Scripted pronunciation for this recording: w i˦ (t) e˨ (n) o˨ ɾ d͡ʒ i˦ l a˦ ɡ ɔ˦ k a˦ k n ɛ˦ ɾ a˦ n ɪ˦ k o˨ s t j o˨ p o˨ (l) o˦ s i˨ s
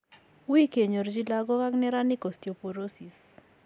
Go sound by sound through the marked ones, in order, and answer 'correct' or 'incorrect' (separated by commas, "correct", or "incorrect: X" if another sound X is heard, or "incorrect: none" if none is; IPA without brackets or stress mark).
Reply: incorrect: k, incorrect: ɲ, incorrect: ɾ